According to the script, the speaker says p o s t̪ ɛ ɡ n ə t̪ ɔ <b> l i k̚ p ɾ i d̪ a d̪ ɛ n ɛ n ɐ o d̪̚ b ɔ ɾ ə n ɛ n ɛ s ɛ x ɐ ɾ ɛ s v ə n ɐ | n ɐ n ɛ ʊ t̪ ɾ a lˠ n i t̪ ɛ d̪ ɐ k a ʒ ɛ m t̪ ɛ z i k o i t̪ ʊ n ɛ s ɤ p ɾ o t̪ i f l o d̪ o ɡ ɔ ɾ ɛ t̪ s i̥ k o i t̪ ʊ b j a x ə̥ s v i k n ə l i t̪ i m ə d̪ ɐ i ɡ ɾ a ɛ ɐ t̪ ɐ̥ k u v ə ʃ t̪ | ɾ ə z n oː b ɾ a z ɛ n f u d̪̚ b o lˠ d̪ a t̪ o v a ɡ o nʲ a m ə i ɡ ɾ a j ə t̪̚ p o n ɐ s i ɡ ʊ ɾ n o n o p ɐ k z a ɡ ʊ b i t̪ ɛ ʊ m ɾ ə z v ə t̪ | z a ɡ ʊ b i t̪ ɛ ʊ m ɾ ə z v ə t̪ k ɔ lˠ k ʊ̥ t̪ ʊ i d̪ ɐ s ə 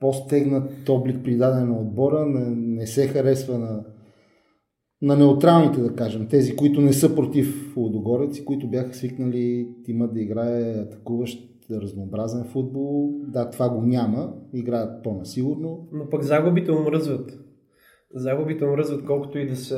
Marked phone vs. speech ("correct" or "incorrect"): correct